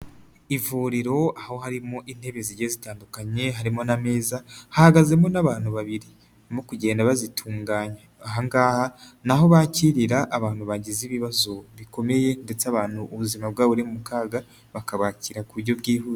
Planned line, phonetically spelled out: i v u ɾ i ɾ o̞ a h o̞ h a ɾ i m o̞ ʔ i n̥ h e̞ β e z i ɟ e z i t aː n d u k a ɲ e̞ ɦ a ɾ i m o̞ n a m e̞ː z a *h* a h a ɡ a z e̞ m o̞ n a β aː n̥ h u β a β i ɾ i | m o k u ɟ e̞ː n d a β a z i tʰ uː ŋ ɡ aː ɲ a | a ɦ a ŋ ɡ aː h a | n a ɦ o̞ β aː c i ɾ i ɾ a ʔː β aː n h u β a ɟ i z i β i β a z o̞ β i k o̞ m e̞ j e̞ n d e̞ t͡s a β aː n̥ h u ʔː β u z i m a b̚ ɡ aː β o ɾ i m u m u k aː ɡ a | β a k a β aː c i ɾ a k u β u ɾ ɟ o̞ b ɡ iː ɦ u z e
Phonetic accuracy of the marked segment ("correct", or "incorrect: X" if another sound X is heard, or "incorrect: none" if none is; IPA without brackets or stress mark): correct